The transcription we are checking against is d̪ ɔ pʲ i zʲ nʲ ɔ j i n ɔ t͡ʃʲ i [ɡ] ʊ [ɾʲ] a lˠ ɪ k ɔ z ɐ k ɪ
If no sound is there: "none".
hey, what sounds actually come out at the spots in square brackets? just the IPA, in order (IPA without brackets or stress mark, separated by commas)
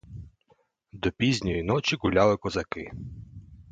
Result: ɡ, lʲ